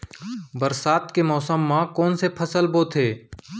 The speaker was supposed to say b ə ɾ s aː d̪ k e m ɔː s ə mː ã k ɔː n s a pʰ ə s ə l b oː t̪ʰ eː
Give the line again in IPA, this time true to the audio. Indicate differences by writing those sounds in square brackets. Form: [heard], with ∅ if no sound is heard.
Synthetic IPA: b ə ɾ s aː [t̪] k e m ɔː s ə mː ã k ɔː n s [e] pʰ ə s ə l b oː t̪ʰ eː